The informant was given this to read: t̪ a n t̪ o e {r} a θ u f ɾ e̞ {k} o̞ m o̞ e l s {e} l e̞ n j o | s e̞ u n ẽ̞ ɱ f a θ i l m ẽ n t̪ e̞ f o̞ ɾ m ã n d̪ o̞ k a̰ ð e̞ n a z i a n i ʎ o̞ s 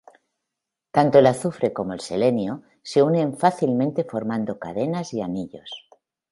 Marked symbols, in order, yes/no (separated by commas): no, yes, yes